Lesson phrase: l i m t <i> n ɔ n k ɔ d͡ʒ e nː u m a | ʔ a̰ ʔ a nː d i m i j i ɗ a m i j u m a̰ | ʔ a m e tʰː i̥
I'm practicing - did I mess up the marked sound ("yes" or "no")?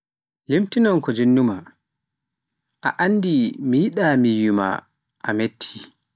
no